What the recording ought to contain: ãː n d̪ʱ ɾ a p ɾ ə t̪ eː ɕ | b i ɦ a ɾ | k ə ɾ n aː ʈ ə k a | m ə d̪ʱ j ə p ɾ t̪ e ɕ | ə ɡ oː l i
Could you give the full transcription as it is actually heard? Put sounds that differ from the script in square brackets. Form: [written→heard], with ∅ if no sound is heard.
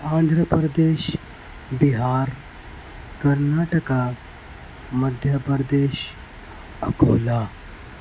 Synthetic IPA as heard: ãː n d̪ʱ ɾ [a→ə] p ɾ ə [t̪→d̪] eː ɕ | b i ɦ a ɾ | k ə ɾ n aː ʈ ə k a | m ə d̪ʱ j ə p ɾ [t̪→d̪] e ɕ | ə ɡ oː l [i→a]